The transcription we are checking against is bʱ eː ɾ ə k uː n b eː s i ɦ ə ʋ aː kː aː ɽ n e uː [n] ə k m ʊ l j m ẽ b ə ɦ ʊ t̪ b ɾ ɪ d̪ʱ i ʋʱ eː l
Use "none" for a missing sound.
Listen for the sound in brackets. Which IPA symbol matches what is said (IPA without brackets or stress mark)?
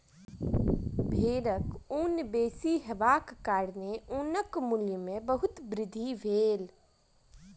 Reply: n